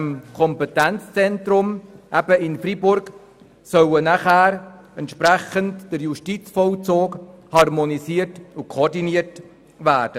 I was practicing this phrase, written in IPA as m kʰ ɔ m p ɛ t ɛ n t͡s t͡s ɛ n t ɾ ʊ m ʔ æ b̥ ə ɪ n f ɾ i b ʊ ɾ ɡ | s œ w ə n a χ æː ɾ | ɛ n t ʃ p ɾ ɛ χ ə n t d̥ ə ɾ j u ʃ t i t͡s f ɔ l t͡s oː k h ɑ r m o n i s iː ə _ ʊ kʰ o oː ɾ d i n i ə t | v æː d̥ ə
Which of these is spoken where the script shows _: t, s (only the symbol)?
t